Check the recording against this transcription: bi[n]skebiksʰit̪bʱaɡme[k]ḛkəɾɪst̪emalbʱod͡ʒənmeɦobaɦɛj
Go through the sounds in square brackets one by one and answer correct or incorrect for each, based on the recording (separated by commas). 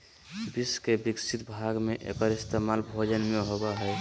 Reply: incorrect, incorrect